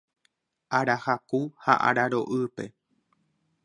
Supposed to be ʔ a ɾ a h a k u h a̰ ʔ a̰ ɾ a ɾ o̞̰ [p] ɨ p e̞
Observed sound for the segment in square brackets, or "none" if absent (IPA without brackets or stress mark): ʔ